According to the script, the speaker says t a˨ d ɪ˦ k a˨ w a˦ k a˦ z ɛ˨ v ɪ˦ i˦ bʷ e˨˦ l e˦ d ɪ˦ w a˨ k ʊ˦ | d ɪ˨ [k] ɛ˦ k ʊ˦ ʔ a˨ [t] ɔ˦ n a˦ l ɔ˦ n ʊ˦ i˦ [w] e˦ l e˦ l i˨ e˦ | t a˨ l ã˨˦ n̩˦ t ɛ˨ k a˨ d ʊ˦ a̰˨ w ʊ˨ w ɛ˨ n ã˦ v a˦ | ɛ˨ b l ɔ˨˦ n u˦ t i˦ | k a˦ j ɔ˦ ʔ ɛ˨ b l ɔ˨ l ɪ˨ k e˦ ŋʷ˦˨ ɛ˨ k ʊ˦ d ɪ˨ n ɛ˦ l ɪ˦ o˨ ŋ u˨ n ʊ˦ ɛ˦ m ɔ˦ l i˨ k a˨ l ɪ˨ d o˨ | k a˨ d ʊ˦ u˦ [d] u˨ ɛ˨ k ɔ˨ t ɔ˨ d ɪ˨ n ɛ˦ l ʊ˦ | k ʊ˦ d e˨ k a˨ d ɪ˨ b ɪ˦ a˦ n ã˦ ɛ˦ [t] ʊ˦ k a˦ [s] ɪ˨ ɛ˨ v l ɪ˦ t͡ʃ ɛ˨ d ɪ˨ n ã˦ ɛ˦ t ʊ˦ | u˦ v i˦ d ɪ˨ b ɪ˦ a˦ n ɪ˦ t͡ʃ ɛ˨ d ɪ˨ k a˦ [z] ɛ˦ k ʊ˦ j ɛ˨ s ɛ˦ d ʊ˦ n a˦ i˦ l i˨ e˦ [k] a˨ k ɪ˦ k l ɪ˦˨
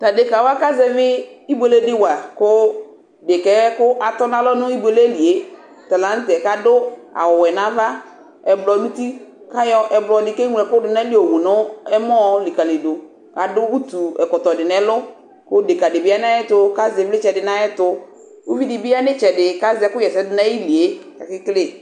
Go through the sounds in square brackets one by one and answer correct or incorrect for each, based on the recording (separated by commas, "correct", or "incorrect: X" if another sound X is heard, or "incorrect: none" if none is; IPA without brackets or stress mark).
correct, correct, incorrect: b, incorrect: t, correct, incorrect: z, correct, correct